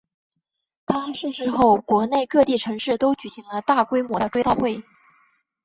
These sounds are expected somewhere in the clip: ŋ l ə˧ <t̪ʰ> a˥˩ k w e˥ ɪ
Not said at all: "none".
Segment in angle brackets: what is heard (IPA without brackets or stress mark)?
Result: t̪